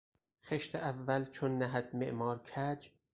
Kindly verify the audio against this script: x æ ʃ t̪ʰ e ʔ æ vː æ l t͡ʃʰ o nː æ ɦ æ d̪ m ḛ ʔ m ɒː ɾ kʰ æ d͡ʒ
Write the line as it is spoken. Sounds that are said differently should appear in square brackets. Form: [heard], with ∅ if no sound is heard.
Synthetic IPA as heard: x [e] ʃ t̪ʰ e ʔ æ vː æ l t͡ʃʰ o nː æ ɦ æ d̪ m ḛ ʔ m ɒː ɾ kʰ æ d͡ʒ